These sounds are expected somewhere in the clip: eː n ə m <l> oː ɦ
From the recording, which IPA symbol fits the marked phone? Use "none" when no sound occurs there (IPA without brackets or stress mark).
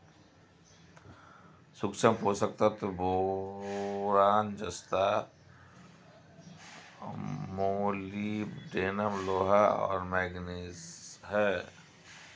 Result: l